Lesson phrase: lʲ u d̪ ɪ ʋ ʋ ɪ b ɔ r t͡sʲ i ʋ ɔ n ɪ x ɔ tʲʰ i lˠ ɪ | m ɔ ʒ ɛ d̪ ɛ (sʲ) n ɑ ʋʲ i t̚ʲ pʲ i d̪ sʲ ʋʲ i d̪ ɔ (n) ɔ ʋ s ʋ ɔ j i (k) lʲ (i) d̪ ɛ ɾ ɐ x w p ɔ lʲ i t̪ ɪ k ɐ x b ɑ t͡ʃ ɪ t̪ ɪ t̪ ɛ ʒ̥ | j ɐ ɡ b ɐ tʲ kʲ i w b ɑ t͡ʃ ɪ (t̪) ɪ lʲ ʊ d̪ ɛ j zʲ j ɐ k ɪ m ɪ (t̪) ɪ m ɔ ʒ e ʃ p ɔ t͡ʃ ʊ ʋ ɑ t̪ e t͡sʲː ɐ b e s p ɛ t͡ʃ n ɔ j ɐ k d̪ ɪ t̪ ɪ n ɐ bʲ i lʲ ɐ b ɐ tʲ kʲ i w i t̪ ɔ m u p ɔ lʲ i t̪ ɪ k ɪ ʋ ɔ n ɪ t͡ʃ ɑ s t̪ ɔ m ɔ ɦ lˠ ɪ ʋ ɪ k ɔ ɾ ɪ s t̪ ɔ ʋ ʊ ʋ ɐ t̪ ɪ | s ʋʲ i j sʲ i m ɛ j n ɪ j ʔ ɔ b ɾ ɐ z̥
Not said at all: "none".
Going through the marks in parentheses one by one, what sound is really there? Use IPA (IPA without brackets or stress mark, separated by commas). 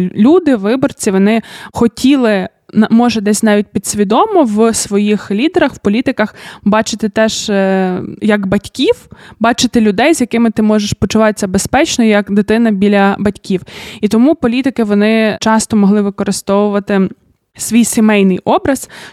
sʲ, m, x, i, t̪, t̪